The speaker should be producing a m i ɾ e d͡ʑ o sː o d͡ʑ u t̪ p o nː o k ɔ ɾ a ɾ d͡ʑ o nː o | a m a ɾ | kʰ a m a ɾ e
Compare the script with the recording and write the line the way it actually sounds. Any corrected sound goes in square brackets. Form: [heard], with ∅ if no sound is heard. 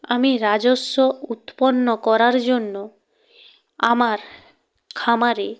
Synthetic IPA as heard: a m i ɾ [a] d͡ʑ o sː o [∅] u t̪ p o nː o k ɔ ɾ a ɾ d͡ʑ o nː o | a m a ɾ | kʰ a m a ɾ e